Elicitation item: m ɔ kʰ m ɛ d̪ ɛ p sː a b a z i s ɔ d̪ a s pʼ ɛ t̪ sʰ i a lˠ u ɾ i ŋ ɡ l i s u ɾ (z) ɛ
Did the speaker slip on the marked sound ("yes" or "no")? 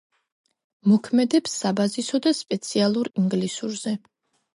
no